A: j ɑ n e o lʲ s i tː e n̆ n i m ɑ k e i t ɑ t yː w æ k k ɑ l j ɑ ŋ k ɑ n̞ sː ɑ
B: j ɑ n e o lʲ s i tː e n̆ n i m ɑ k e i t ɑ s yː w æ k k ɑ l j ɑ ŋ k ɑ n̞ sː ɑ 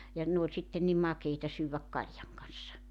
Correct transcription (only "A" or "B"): B